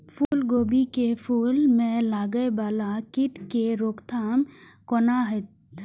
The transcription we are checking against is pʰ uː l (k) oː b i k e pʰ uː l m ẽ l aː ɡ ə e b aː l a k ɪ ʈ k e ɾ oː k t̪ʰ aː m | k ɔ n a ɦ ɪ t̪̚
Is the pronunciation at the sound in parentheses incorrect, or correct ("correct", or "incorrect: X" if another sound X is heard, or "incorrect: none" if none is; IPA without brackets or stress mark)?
incorrect: ɡ